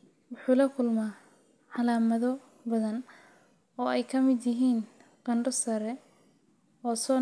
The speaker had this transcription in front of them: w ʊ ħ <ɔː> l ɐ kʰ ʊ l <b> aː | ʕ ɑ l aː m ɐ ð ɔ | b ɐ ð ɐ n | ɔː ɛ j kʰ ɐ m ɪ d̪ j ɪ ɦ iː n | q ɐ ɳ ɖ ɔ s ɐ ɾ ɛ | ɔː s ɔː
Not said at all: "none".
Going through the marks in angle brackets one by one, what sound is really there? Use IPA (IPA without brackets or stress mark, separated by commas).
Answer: uː, m